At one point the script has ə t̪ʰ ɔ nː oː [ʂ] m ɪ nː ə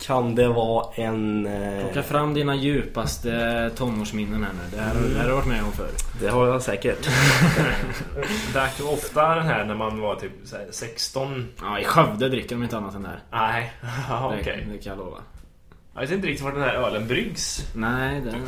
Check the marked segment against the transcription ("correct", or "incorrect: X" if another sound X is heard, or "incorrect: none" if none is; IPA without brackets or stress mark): correct